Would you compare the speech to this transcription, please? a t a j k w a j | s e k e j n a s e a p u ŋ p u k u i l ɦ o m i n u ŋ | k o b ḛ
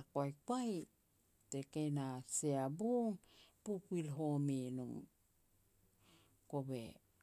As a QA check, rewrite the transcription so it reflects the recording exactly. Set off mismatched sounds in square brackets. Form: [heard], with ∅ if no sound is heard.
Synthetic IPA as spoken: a [k] a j k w a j | [t] e k e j n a s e a [b] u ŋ p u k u i l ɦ o m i n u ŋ | k o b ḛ